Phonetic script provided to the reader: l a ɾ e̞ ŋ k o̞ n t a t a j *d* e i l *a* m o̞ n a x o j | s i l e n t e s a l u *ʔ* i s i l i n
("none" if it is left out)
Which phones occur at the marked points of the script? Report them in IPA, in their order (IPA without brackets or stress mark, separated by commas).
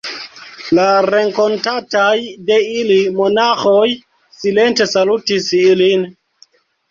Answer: d, i, t